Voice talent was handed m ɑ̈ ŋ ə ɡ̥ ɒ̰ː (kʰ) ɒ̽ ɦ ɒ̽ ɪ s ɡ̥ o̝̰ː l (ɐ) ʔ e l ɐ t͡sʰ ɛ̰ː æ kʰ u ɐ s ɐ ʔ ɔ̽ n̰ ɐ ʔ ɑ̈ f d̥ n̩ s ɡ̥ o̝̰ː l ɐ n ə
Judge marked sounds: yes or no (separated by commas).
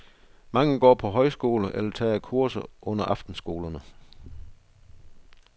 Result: no, no